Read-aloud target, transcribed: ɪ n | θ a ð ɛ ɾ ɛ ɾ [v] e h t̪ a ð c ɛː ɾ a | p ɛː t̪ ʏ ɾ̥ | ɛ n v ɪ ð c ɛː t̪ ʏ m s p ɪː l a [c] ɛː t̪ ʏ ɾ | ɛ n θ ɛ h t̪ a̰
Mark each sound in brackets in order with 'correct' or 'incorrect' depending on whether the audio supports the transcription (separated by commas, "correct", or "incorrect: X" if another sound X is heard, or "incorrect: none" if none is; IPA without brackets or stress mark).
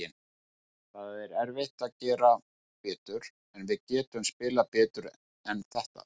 correct, incorrect: p